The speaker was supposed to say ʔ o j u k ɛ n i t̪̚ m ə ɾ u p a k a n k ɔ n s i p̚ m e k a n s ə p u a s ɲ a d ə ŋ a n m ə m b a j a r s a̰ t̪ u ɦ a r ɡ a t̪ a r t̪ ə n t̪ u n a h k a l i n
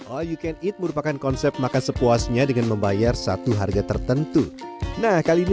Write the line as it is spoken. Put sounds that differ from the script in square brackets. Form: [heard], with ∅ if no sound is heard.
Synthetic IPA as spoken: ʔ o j u k ɛ n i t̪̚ m ə ɾ u p a k a n k ɔ n s [ɛ] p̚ m [a] k a n s ə p u a s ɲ a d ə ŋ a n m ə m b a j a r s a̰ t̪ u ɦ a r ɡ a t̪ [ə] r t̪ ə n t̪ u n a h k a l i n